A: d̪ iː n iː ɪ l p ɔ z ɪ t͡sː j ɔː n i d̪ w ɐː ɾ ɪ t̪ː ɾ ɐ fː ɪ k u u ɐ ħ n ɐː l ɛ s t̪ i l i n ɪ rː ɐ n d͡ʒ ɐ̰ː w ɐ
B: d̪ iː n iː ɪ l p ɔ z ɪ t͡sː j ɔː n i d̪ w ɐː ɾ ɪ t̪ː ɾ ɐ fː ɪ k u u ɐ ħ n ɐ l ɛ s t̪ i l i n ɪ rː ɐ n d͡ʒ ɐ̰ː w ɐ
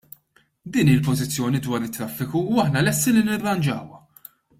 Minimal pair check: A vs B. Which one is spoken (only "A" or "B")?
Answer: B